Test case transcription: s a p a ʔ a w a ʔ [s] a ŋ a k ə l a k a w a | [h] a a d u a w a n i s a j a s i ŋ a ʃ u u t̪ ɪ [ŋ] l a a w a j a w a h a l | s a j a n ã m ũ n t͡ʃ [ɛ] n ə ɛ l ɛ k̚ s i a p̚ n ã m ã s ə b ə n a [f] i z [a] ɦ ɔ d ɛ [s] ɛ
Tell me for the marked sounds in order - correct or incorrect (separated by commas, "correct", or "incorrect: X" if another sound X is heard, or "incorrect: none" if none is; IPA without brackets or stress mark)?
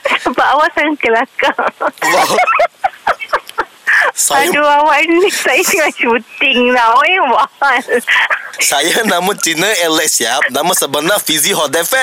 correct, incorrect: s, correct, incorrect: i, correct, incorrect: i, incorrect: f